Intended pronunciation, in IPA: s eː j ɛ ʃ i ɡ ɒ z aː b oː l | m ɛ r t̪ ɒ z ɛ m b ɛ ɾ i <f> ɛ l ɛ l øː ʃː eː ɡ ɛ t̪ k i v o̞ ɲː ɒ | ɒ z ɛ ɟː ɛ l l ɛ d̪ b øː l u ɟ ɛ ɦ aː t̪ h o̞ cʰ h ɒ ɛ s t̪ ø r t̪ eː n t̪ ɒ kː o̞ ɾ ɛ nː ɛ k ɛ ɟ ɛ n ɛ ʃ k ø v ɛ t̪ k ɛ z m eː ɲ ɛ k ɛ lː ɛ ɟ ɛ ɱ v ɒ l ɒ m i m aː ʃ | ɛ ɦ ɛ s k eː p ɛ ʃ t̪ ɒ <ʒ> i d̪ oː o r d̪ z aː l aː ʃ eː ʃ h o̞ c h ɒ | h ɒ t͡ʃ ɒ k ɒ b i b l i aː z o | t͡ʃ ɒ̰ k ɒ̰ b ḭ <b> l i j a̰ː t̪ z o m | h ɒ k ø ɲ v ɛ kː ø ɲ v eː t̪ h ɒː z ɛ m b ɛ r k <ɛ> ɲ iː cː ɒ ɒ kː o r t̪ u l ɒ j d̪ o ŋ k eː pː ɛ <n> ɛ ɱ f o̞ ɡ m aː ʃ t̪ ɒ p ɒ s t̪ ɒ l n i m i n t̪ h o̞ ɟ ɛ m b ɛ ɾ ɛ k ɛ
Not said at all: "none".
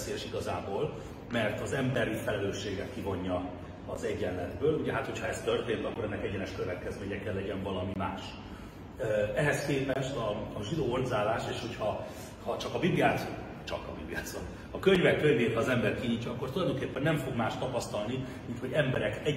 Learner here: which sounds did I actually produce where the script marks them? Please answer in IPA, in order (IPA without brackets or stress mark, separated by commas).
f, ʒ, b, i, nː